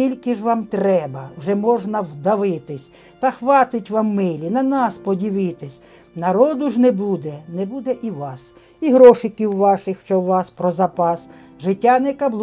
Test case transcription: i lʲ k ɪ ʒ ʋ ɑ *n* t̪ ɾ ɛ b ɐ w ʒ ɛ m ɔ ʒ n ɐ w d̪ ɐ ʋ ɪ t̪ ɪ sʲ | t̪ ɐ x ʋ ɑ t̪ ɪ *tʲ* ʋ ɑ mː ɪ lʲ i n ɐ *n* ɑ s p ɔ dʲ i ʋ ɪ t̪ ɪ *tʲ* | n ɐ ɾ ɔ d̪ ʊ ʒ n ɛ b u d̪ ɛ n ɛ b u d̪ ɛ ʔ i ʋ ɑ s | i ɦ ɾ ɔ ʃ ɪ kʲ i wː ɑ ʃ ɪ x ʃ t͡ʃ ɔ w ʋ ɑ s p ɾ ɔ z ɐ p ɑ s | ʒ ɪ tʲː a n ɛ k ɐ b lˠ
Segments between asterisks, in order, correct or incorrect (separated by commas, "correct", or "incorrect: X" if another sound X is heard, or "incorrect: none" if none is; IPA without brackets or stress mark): incorrect: m, correct, correct, incorrect: sʲ